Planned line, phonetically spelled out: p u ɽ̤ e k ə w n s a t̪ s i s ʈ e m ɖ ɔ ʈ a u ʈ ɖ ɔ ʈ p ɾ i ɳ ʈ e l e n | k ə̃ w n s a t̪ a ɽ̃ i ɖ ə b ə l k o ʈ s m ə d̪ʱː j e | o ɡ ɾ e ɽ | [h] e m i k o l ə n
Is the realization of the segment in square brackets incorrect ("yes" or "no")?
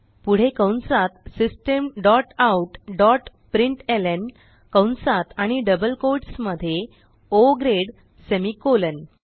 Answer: yes